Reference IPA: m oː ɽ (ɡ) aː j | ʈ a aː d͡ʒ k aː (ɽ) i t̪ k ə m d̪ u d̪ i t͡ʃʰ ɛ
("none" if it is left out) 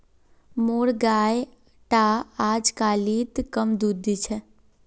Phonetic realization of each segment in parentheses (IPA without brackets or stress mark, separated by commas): ɡ, l